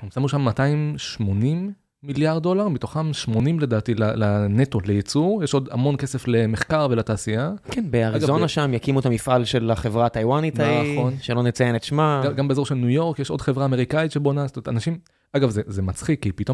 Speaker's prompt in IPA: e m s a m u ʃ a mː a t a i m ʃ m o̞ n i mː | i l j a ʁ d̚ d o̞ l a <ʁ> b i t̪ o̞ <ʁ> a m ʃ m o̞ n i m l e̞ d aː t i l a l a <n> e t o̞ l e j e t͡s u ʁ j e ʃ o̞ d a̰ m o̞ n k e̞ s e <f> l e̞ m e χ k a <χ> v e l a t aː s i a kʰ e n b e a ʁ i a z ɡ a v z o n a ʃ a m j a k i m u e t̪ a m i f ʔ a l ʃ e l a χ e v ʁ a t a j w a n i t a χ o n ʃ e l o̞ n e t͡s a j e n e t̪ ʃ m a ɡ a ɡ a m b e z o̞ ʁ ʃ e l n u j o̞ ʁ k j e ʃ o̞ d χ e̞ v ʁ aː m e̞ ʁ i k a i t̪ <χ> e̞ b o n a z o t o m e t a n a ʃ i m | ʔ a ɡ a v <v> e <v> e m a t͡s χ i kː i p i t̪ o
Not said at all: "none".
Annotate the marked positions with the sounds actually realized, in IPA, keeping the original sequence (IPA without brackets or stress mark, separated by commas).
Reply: ʁ, χ, n, f, ʁ, ʃ, z, z